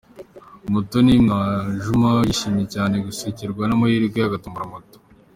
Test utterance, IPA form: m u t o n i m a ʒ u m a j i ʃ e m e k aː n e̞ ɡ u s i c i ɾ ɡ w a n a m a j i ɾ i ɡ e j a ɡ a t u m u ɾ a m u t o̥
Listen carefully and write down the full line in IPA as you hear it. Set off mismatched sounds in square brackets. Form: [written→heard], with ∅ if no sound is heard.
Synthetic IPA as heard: m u t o n i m a ʒ u m a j i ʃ [e→i] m e [k→c] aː n e̞ ɡ u s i c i ɾ ɡ w a n a m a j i ɾ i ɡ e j a ɡ a t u m u ɾ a m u t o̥